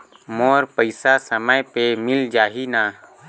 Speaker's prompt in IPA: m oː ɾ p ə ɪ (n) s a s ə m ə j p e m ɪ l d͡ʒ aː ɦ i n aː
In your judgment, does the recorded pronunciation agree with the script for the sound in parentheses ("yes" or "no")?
no